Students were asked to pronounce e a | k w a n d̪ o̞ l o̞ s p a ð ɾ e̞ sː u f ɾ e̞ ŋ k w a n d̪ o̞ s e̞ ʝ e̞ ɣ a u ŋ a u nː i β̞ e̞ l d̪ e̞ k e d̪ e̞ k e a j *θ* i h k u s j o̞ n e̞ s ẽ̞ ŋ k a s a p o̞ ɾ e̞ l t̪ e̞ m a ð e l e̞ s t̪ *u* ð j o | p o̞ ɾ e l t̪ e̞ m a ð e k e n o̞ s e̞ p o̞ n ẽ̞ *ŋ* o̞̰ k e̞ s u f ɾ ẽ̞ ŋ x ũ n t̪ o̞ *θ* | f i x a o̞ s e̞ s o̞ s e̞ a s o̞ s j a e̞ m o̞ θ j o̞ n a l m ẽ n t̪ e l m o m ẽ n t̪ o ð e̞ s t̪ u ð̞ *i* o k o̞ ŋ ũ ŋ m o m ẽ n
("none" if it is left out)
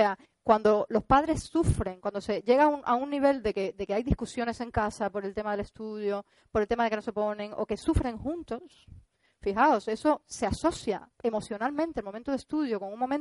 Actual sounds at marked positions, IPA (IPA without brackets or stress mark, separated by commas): ð, u, ŋ, s, j